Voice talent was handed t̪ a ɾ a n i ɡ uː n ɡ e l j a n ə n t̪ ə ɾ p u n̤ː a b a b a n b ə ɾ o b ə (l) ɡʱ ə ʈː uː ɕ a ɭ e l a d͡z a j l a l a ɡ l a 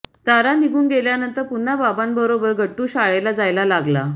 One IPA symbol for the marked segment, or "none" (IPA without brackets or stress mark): ɾ